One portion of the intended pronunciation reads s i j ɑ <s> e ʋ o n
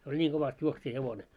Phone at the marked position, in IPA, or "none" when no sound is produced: h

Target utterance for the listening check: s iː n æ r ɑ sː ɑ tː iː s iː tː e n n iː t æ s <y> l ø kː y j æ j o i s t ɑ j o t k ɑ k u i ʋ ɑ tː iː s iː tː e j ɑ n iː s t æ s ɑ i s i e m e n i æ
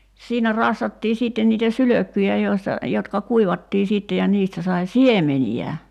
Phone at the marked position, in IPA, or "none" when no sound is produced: y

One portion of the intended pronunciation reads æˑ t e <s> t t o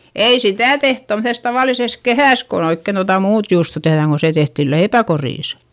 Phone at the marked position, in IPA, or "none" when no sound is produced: h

